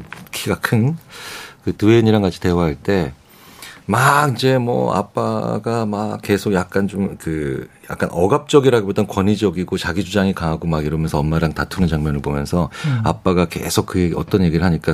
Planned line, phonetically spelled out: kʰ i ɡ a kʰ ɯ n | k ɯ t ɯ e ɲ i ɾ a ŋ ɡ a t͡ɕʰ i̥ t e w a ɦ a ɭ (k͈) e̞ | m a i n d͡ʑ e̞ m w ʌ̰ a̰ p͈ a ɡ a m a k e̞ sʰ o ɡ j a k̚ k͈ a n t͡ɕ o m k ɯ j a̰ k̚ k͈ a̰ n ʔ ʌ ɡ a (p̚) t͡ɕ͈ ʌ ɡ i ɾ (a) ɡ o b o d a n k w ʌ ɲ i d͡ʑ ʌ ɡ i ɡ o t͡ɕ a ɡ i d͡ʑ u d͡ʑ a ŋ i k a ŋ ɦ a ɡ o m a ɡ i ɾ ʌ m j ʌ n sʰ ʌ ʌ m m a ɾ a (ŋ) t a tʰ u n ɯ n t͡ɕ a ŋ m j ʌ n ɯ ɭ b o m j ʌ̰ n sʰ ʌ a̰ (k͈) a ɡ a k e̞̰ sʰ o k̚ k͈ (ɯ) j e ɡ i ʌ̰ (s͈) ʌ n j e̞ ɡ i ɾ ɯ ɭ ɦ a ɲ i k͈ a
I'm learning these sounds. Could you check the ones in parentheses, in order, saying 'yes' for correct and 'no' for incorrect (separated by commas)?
no, yes, yes, yes, no, yes, no